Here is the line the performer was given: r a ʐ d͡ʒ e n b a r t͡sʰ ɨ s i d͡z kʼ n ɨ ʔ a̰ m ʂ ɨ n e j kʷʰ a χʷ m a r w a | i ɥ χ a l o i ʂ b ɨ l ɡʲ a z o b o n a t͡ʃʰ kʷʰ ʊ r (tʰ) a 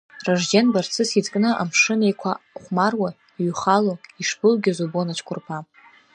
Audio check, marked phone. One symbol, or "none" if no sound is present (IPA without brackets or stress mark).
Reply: pʰ